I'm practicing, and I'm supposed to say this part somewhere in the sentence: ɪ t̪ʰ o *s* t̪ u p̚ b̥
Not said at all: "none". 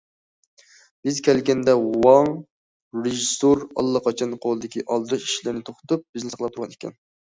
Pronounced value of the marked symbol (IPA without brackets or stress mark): χ